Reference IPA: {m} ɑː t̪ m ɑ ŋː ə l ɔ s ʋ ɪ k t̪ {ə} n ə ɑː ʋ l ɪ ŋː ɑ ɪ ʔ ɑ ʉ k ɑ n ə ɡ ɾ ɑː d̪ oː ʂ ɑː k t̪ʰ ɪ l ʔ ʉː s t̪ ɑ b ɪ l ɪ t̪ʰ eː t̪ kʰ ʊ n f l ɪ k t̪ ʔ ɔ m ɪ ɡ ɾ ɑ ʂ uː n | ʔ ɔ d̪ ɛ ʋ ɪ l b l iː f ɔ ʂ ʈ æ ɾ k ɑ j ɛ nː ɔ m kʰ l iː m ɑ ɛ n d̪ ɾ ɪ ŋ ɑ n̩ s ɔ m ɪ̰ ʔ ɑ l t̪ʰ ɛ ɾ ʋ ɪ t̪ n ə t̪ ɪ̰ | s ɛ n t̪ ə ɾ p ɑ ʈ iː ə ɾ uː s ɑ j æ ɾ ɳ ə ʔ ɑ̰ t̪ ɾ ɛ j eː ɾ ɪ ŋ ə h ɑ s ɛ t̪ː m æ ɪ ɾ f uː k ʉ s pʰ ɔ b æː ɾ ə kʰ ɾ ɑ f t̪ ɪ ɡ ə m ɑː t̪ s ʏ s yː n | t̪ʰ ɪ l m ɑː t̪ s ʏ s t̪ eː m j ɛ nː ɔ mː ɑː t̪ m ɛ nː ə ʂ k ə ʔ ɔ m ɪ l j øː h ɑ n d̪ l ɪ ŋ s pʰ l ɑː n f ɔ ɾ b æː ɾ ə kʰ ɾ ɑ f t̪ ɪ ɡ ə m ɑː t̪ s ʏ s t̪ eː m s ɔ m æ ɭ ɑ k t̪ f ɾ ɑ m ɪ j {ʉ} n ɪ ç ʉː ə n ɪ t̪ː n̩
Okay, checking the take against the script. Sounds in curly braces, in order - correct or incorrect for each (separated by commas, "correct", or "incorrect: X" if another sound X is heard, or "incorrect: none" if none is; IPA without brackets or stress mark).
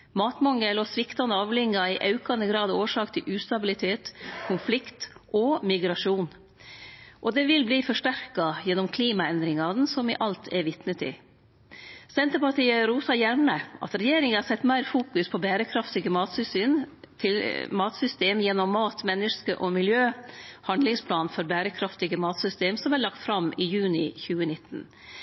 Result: correct, incorrect: ɑ, incorrect: ʉː